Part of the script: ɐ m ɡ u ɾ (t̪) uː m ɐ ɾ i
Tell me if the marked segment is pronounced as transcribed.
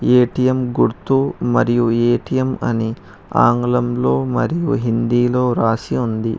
yes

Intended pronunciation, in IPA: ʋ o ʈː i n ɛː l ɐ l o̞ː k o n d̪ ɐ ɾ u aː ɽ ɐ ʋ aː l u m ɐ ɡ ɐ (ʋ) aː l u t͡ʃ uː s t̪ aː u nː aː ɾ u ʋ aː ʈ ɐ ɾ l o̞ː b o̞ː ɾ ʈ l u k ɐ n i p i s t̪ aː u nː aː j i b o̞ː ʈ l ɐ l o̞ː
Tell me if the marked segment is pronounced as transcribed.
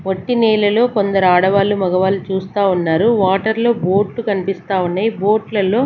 yes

